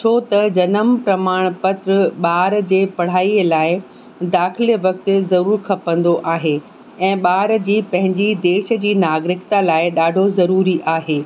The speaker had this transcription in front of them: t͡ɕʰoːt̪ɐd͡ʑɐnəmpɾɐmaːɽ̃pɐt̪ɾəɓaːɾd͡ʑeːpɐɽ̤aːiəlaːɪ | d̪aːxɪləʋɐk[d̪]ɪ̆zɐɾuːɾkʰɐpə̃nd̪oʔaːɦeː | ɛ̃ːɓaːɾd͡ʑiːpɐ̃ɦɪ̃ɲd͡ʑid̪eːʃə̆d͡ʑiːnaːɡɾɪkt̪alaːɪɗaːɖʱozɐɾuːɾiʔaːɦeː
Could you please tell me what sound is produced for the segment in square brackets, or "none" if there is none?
t̪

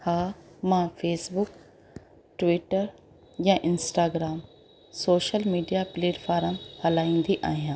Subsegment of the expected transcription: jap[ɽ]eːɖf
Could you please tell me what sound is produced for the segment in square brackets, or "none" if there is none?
l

